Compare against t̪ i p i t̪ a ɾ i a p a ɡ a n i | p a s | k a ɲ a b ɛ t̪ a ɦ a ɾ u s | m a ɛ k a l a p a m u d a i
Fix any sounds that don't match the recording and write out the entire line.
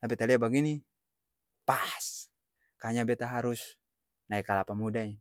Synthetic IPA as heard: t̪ a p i t̪ a l i a b a ɡ i n i | p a s | k a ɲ a b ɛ t̪ a ɦ a ɾ u s | n a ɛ k a l a p a m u d a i